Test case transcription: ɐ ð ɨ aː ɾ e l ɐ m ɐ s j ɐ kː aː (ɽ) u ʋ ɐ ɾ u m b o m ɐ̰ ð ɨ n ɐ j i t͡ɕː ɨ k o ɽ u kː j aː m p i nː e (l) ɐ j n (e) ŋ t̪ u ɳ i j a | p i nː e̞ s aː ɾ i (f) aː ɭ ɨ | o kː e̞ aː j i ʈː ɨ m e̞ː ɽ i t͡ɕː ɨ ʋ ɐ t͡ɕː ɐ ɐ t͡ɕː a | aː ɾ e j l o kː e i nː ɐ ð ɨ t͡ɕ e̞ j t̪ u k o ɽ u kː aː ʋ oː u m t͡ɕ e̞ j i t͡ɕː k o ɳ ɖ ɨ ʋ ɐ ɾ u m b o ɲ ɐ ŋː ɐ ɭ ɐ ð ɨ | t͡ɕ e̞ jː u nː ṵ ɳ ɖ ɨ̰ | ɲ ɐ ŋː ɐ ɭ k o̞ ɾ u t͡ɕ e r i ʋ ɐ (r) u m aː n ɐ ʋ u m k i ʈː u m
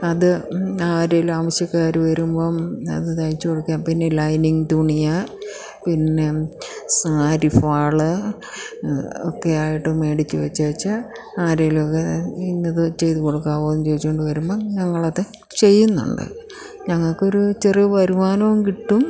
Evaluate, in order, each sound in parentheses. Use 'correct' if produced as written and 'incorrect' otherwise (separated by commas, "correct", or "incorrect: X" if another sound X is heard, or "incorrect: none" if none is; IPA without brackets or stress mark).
incorrect: ɾ, correct, incorrect: i, correct, incorrect: ɾ